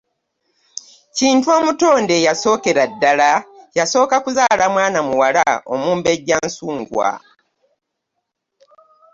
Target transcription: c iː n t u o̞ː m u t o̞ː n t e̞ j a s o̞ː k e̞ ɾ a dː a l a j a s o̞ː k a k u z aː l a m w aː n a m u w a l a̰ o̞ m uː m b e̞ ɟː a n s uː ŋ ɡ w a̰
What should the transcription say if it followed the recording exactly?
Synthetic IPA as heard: c iː n t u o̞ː m u t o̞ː n d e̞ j a s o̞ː k e̞ ɾ a dː a l a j a s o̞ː k a k u z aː l a m w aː n a m u w a l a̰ o̞ m uː m b e̞ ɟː a n s uː ŋ ɡ w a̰